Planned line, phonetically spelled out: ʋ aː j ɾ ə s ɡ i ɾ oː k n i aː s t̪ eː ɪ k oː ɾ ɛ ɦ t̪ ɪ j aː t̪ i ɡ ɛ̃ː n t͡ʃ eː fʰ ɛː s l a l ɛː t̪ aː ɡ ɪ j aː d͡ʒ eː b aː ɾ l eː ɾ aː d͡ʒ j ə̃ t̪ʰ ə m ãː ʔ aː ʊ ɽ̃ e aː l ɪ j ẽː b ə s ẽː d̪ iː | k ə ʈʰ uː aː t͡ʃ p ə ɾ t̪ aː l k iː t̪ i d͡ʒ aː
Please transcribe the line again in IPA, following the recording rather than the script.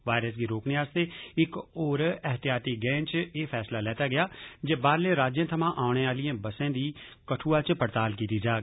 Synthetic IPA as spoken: ʋ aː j ɾ ə s ɡ i ɾ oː k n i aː s t̪ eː ɪ k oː ɾ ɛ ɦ t̪ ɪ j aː t̪ i ɡ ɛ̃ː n t͡ʃ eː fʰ ɛː s l a l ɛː t̪ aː ɡ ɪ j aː d͡ʒ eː b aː ɾ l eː ɾ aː d͡ʒ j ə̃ t̪ʰ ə m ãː ʔ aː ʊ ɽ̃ e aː l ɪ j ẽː b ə s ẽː d̪ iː | k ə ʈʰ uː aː t͡ʃ p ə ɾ t̪ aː l k iː t̪ i d͡ʒ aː